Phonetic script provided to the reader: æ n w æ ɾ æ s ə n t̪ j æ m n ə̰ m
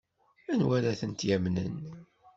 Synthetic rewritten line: æ n w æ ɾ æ θ ə n t̪ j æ m n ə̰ n